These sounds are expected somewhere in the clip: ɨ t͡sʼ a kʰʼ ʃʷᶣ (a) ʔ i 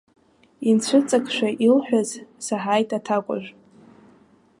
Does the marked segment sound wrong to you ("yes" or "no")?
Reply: no